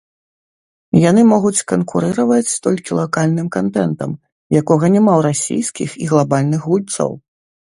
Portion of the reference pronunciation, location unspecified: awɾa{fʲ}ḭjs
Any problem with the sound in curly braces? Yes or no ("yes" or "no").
yes